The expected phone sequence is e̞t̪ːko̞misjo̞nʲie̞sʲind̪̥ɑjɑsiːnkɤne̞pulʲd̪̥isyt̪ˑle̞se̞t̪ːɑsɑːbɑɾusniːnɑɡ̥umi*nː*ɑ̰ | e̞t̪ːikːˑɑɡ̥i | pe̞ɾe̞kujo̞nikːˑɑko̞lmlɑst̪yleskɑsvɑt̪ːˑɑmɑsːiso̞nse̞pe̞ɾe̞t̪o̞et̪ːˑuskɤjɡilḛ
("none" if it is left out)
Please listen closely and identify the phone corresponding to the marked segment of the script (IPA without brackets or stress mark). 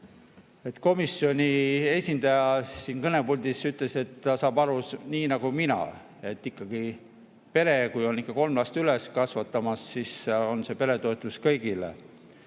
n